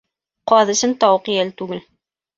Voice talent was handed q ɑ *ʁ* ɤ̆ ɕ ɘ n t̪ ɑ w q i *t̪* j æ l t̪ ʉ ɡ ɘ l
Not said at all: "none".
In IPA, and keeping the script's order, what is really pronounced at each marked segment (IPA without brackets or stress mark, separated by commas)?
ð, none